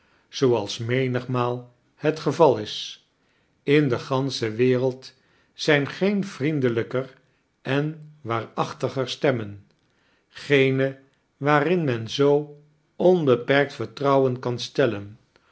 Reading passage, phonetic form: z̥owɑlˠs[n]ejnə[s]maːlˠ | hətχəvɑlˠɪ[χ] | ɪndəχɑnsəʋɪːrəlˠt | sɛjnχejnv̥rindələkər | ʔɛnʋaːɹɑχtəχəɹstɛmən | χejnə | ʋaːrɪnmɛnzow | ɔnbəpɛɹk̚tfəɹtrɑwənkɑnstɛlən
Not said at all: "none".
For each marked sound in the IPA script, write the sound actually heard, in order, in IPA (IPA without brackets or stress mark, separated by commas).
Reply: m, χ, s